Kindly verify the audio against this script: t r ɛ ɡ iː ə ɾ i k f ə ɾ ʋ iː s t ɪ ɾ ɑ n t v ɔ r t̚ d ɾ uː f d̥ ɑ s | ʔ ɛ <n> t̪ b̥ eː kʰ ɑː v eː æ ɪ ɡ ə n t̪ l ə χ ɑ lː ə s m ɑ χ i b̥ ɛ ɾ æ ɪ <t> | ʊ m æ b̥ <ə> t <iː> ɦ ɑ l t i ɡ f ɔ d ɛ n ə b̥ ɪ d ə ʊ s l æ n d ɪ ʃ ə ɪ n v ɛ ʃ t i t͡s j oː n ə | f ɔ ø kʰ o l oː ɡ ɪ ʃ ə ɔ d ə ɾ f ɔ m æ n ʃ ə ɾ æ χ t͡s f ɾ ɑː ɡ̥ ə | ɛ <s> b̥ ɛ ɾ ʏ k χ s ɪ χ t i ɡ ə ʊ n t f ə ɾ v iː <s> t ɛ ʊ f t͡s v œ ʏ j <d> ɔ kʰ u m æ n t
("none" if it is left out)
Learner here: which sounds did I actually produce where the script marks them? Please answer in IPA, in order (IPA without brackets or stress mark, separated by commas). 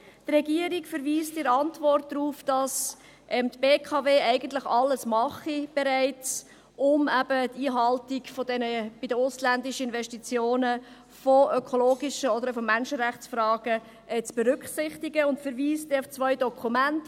m, t͡s, ə, iː, t͡s, s, d